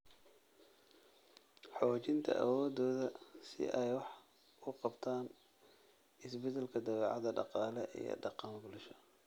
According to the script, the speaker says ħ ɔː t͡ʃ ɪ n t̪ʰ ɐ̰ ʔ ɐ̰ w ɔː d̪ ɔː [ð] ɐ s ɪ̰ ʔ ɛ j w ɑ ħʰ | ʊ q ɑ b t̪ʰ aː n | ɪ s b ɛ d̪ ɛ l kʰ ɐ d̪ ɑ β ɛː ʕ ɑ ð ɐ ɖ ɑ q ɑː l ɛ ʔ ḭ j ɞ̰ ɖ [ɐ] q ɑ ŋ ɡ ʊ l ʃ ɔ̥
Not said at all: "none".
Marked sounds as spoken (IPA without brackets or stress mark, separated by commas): ð, ɑ